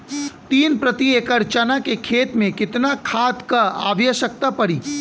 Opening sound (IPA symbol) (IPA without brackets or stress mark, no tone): t̪